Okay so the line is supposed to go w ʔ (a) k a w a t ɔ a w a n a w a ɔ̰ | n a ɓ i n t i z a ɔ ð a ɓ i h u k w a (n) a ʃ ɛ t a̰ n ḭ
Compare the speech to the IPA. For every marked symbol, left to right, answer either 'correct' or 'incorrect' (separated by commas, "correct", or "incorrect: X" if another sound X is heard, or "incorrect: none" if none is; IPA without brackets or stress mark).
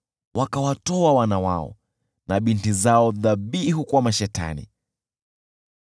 correct, incorrect: m